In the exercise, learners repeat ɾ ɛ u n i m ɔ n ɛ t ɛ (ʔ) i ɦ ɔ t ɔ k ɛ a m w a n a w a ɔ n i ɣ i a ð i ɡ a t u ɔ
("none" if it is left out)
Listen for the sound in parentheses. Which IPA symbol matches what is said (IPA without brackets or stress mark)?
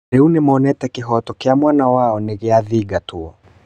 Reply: k